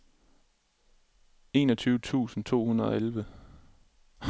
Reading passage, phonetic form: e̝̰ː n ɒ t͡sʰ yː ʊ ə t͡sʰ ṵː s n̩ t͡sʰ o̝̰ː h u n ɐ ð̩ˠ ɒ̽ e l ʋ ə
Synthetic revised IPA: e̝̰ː n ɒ t͡sʰ yː ʊ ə t͡sʰ ṵː s n̩ t͡sʰ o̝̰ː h u n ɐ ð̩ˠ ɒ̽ e l ʋ ə